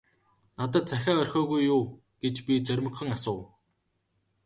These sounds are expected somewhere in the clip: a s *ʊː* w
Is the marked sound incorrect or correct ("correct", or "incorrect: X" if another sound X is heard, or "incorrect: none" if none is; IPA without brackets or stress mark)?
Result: correct